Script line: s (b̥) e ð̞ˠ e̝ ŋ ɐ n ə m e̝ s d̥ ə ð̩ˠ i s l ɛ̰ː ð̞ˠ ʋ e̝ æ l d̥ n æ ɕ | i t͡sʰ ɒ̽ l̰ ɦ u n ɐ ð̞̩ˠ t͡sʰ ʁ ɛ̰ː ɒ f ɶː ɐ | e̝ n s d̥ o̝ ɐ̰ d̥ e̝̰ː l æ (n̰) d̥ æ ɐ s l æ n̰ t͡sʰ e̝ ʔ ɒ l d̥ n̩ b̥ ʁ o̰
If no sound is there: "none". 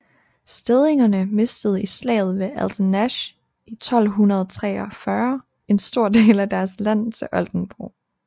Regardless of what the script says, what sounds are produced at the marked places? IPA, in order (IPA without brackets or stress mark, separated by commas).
d̥, none